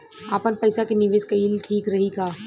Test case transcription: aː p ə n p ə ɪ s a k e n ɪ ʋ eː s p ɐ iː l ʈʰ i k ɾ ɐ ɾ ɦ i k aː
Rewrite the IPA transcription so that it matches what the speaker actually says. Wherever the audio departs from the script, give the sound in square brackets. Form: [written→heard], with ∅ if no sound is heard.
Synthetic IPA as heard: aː p ə n p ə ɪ s a k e n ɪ ʋ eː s [p→k] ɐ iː l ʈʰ [i→iː] k ɾ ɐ [ɾ→∅] ɦ i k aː